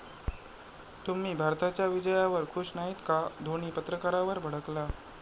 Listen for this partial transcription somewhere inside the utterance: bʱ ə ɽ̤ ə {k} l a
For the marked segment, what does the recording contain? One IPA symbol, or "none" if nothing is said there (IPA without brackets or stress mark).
k